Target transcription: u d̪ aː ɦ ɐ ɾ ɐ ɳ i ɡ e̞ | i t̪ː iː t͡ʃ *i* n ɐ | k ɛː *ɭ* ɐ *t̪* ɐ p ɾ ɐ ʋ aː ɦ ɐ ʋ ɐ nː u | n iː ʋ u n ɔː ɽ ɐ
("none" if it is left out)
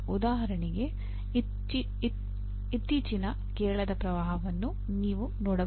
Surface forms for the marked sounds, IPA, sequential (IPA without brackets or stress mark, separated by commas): i, ɭ, d̪